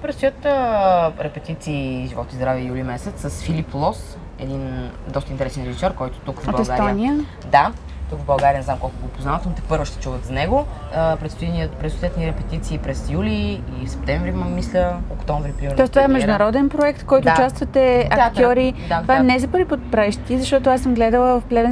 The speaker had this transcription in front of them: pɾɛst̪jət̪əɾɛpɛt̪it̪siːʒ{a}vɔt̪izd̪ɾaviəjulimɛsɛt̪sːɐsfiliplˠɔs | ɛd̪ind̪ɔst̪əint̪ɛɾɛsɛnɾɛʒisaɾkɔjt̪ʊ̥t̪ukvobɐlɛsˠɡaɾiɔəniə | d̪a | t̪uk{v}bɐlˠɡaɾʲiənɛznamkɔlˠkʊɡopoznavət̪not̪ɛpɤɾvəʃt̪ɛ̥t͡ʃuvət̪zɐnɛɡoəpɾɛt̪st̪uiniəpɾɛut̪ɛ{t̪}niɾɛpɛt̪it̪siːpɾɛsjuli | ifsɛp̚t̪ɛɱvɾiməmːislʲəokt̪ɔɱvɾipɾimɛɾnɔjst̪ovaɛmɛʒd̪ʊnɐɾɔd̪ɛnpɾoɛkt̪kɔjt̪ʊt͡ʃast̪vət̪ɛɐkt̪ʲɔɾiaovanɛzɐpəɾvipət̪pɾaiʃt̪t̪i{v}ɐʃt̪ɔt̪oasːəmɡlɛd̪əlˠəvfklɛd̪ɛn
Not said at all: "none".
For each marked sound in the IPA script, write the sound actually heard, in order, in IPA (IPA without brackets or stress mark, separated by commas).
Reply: i, v, t̪, z